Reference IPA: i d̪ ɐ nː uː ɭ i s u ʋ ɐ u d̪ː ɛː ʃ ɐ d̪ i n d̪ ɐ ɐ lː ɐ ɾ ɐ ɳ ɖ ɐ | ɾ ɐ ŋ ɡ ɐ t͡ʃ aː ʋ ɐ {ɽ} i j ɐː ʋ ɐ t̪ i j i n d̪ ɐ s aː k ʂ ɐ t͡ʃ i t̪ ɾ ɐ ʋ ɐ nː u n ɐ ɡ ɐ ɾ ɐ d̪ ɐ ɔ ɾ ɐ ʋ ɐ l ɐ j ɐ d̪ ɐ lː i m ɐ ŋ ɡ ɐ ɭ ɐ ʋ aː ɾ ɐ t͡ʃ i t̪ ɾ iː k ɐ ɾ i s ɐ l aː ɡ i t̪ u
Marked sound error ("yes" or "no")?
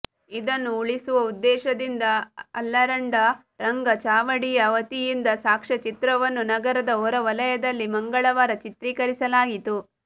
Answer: no